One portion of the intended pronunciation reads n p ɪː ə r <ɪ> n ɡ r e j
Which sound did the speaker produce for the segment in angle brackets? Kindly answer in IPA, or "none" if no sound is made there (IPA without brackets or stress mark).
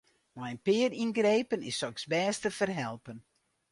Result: i